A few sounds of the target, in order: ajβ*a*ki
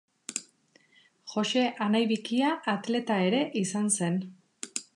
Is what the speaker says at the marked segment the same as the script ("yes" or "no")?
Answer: no